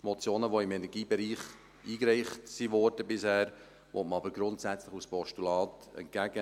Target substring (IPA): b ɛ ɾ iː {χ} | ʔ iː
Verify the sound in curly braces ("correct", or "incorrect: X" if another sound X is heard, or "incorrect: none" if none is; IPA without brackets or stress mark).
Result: correct